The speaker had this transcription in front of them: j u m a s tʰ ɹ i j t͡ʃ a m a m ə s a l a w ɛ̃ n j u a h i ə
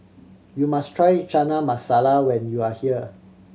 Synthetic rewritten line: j u m a s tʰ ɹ a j t͡ʃ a n a m a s a l a w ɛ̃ n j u a h i ə